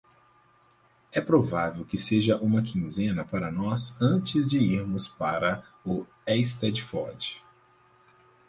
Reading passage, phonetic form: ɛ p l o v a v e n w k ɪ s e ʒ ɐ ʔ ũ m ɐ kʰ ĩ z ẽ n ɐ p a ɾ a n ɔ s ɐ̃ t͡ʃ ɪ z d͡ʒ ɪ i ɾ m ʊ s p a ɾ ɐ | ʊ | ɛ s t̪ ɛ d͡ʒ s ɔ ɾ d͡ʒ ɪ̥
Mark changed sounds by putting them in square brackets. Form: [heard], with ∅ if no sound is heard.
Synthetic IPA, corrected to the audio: ɛ p [ɾ] o v a v e [∅] w k ɪ s e ʒ ɐ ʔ ũ m ɐ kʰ ĩ z ẽ n ɐ p a ɾ [ɐ] n ɔ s ɐ̃ t͡ʃ ɪ z d͡ʒ ɪ i ɾ m ʊ s p a ɾ ɐ | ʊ | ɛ s t̪ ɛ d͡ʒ [f] ɔ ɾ d͡ʒ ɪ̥